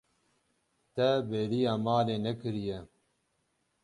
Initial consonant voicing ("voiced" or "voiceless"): voiceless